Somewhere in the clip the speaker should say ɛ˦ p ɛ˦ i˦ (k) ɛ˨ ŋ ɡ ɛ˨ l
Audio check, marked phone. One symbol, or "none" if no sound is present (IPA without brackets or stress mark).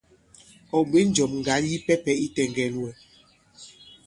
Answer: t